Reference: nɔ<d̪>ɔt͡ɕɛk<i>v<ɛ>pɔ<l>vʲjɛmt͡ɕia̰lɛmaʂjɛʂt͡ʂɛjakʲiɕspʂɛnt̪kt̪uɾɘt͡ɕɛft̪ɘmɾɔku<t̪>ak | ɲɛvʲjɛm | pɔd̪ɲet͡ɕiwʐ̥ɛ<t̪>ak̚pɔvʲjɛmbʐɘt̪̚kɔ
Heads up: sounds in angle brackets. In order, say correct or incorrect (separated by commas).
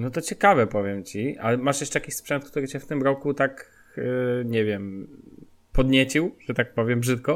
incorrect, incorrect, correct, incorrect, correct, correct